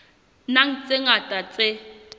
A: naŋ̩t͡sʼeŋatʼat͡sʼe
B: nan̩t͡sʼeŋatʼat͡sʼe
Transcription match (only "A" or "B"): A